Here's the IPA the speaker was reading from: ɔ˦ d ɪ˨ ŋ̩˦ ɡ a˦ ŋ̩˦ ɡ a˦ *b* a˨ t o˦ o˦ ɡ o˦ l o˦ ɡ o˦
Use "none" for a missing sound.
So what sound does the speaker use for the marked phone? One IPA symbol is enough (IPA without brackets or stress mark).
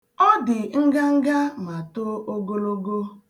m